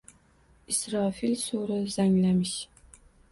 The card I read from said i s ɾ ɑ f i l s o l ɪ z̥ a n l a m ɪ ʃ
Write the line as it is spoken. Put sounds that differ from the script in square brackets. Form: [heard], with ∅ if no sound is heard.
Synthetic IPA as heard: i s ɾ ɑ f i l s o [ɾ] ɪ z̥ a [ŋ] l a m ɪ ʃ